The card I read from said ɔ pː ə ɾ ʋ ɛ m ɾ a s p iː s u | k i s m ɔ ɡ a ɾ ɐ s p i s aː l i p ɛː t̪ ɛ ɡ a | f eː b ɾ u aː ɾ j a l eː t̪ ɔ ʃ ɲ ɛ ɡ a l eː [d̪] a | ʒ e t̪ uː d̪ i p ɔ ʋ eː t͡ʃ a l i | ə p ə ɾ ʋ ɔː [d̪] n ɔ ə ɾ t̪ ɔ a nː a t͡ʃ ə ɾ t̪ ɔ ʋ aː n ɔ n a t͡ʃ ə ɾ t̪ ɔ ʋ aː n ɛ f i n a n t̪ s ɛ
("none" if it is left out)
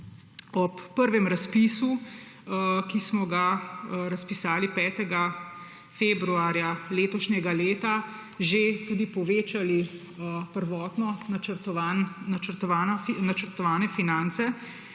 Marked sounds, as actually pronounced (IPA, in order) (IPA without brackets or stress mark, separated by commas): t̪, t̪